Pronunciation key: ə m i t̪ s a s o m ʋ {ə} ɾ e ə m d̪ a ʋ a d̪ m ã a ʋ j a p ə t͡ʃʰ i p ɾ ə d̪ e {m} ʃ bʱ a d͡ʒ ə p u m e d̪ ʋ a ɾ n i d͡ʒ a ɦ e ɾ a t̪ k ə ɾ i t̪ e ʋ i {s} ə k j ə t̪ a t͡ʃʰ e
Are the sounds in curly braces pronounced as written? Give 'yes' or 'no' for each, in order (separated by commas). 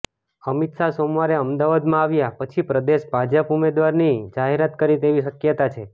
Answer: no, no, no